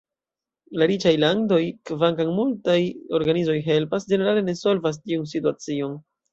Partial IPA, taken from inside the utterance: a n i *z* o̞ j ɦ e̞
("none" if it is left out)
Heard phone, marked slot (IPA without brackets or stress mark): z